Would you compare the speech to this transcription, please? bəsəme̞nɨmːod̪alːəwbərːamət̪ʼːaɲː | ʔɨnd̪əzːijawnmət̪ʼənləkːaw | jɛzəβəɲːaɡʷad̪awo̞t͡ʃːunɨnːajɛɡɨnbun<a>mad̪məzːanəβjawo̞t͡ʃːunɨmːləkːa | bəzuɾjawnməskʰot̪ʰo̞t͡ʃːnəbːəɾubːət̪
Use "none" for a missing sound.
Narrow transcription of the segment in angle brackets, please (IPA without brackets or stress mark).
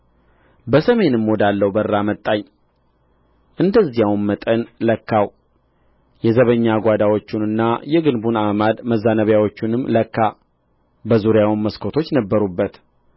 a